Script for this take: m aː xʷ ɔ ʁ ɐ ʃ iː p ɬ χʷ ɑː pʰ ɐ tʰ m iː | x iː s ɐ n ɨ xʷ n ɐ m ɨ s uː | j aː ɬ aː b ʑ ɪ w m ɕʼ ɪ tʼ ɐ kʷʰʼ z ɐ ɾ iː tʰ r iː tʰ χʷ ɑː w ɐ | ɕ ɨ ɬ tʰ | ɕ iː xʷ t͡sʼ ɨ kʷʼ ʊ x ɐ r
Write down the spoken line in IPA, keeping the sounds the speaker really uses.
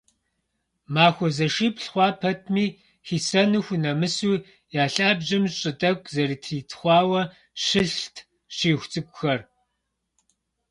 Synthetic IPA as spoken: m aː xʷ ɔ z ɐ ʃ iː p ɬ χʷ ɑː pʰ ɐ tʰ m iː | x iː s ɐ n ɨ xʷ n ɐ m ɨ s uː | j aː ɬ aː b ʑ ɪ m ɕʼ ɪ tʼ ɐ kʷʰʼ z ɐ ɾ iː tʰ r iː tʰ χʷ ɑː w ɐ | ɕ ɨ ɬ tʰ | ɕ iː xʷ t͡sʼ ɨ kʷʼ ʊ x ɐ r